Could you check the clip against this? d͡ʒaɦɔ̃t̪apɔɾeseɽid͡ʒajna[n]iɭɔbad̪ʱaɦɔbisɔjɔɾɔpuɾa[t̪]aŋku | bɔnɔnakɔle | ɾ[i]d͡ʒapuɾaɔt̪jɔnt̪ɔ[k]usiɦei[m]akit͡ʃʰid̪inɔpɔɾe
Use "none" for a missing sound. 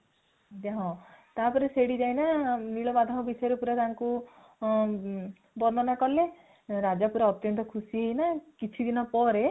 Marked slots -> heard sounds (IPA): n, t̪, a, kʰ, n

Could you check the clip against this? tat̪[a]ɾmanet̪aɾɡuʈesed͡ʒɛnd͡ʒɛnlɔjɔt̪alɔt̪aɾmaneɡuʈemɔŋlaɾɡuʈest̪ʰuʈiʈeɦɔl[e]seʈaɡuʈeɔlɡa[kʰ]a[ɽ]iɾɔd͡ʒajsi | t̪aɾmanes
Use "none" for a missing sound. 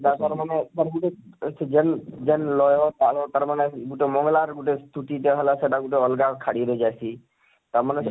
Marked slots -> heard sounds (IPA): a, a, kʰ, ɽ

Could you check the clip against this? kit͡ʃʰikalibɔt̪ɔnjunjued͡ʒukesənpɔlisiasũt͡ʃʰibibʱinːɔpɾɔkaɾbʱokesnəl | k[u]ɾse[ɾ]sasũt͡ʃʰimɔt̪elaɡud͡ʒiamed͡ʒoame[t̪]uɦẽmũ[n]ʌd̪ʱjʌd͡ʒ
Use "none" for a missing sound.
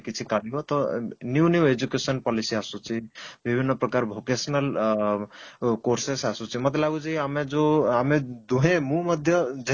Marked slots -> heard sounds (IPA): o, none, d̪, m

